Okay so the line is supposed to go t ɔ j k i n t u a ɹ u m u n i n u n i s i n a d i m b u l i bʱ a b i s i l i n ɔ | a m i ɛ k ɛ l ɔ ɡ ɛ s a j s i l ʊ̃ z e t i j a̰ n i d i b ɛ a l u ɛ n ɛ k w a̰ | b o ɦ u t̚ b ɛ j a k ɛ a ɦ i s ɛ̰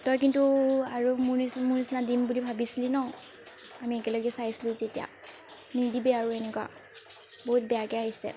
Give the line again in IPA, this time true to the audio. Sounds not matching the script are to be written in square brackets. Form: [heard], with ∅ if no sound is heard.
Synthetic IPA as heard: t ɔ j k i n t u a ɹ u m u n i [m] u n i s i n a d i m b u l i bʱ a b i s i l i n ɔ | a m i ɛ k ɛ l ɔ ɡ ɛ s a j s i l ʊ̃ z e t i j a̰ n i d i b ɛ a [ɹ] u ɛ n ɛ k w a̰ | b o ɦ u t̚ b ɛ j a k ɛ a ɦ i s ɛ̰